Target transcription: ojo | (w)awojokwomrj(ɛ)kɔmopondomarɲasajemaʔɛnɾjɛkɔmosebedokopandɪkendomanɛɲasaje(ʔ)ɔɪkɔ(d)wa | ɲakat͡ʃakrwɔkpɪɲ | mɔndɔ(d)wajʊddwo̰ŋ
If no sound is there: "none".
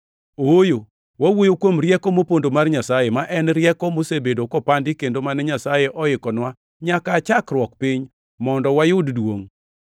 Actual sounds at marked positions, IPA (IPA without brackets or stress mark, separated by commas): w, ɛ, ʔ, n, none